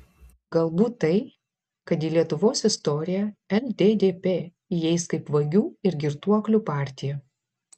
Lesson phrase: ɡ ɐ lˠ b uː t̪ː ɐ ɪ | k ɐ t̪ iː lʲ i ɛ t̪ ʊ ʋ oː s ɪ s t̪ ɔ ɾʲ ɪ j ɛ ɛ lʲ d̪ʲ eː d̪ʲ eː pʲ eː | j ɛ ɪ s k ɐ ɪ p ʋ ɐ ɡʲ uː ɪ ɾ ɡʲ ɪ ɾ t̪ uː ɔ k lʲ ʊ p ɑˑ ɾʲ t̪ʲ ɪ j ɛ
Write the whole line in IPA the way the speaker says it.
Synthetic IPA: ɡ ɐ lˠ b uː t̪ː ɐ ɪ | k ɐ t̪ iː lʲ i ɛ t̪ ʊ ʋ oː s ɪ s t̪ ɔ ɾʲ ɪ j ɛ ɛ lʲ d̪ʲ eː d̪ʲ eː pʲ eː | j ɛ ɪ s k ɐ ɪ p ʋ ɐ ɡʲ uː ɪ ɾ ɡʲ ɪ ɾ t̪ u ɔ k lʲ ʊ p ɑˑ ɾʲ t̪ʲ ɪ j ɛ